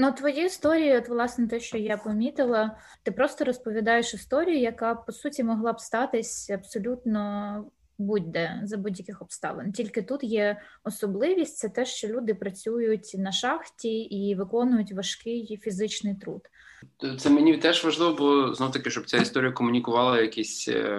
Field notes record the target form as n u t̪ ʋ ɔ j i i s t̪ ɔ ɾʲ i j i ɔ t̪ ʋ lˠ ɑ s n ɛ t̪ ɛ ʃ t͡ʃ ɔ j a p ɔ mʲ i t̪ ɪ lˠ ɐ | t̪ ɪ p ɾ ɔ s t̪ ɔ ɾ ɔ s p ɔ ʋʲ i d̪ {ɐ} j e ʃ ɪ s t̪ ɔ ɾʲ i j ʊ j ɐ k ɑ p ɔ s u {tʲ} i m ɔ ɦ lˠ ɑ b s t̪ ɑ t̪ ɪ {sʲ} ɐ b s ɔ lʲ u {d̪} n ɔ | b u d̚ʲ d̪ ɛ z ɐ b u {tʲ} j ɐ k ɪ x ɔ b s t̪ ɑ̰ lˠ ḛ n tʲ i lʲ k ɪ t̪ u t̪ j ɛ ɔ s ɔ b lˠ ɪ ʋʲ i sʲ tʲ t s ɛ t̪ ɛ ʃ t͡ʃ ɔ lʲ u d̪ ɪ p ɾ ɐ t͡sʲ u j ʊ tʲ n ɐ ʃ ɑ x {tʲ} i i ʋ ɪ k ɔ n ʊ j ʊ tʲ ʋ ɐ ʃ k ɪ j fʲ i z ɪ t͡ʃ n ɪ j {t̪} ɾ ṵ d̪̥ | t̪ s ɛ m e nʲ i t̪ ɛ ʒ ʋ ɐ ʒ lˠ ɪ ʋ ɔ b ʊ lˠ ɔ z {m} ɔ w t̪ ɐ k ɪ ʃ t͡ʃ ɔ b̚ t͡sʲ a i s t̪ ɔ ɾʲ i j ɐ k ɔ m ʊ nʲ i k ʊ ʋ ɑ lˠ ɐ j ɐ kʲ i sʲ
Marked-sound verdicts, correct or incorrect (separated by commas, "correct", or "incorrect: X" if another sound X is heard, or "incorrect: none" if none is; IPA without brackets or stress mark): incorrect: ɑ, correct, correct, incorrect: t̪, incorrect: dʲ, correct, correct, incorrect: n